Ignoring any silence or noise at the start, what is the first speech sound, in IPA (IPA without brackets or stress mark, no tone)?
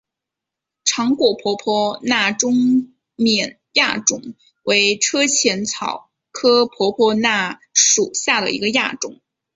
ʈ͡ʂʰ